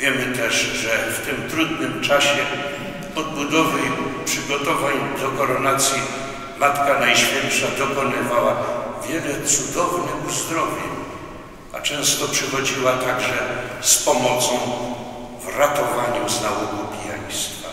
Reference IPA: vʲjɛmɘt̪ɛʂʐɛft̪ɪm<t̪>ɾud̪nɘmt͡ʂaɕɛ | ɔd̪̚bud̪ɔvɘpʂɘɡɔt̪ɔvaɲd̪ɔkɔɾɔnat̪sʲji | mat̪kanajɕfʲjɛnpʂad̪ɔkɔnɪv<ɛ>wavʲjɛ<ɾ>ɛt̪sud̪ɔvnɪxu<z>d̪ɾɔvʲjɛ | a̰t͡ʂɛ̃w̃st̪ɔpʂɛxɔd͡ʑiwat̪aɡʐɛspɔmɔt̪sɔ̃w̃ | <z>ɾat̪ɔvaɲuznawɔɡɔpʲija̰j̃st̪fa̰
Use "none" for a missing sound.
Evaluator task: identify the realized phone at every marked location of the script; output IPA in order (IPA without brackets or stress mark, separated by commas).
t̪, a, l, z, v